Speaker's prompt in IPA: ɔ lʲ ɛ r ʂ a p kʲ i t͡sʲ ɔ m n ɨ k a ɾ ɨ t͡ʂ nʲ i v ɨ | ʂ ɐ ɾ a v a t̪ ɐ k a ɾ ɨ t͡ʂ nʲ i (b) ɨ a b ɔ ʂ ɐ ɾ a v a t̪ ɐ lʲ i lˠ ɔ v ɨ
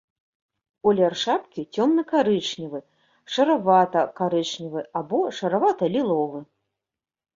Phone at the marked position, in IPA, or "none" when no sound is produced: v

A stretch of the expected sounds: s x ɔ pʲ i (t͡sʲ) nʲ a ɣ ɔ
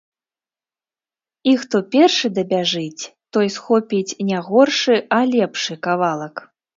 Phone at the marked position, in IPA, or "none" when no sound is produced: t͡sʲ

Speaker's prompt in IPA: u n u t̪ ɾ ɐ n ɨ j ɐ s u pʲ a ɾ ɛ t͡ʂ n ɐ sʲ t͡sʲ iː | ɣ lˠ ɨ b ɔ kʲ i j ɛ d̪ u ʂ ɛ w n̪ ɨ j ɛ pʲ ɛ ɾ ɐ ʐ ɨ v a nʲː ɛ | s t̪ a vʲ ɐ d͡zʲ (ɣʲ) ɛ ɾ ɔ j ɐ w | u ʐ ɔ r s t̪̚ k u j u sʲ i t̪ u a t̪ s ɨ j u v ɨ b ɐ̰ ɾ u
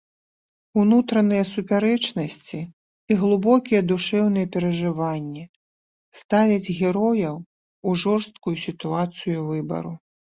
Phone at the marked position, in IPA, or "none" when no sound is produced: ɣʲ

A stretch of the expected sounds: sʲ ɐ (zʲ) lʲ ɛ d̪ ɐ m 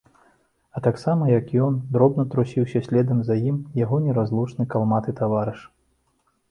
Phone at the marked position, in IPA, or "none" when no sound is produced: sʲ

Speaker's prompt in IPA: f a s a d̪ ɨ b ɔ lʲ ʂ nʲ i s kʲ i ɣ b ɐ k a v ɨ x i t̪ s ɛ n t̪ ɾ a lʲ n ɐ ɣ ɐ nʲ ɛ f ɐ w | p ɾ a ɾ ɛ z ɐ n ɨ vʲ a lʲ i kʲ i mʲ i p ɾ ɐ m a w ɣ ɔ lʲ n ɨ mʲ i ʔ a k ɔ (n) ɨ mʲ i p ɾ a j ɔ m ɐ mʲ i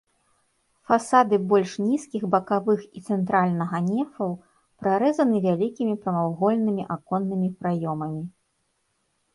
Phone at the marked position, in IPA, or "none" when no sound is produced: nː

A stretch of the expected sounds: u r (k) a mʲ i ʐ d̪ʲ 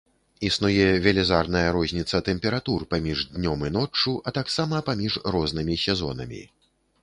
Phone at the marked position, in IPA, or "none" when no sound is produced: p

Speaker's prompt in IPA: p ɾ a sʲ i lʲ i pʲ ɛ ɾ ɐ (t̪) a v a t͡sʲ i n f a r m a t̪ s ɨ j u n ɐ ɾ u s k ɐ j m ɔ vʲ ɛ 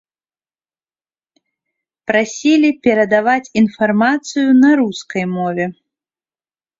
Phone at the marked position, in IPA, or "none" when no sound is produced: d̪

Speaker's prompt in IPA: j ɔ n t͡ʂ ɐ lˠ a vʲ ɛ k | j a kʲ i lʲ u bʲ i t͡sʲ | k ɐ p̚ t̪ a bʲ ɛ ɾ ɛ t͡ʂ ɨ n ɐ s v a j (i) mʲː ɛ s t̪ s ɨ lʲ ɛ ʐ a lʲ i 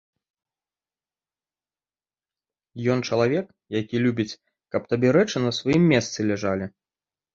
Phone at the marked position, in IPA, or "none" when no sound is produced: i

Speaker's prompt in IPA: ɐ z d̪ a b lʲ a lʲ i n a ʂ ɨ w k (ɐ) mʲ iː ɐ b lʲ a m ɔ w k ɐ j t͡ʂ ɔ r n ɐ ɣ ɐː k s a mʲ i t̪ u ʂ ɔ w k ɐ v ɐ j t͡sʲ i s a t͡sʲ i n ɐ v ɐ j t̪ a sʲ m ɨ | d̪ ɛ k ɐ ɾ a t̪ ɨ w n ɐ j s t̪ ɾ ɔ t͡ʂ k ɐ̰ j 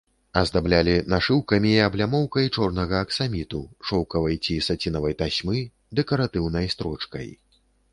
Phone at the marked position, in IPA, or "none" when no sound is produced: ɐ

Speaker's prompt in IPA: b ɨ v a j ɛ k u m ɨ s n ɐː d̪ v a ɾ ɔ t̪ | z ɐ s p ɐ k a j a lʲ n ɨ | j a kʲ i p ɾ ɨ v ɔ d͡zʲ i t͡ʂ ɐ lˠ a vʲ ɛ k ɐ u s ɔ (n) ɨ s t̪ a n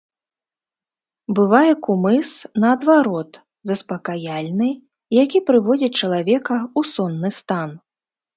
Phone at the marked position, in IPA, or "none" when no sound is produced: nː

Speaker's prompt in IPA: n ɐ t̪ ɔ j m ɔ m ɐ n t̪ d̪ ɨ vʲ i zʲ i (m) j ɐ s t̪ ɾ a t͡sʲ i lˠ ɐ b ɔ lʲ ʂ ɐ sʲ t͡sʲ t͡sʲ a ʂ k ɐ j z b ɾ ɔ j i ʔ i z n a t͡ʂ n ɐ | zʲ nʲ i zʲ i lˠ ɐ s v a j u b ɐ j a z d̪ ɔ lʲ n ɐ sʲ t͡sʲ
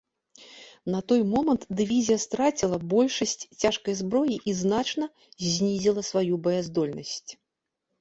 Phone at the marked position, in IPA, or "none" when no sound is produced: none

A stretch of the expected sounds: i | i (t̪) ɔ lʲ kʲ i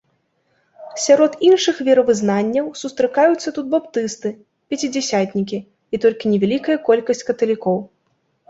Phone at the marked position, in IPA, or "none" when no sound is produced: t̪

